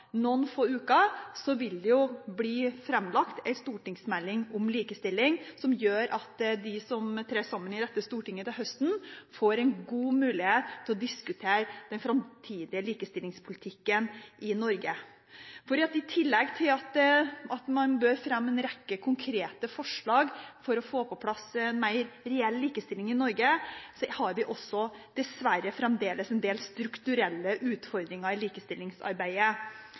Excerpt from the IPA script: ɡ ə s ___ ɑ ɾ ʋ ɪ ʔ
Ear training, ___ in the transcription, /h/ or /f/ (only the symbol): h